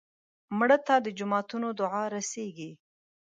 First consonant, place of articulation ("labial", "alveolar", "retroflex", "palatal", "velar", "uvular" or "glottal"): labial